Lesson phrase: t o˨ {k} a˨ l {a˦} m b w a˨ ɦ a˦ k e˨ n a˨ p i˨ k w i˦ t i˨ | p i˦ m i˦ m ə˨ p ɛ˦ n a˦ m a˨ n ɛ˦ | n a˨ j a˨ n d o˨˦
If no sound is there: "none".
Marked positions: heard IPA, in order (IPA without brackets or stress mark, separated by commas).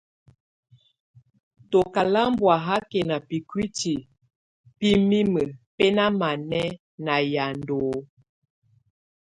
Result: k, a˦